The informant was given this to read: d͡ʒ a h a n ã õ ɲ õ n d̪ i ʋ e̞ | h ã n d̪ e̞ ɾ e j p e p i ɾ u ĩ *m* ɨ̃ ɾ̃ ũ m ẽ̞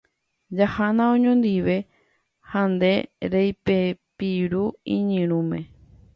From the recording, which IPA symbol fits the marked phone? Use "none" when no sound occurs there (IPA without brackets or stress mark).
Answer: ɲ